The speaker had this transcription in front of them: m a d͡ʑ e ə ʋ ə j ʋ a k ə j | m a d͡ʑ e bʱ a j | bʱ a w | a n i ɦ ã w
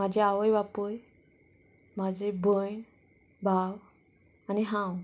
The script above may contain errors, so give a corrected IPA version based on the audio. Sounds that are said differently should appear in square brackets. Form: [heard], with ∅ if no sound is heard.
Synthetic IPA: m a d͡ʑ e [a] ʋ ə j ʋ a [p] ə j | m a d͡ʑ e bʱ [ə] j | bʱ a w | a n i ɦ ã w